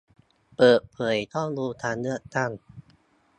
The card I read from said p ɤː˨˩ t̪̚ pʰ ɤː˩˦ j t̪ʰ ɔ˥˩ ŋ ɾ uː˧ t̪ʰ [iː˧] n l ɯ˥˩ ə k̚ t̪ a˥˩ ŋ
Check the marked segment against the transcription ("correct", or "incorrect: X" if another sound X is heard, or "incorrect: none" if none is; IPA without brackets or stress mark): incorrect: aː˧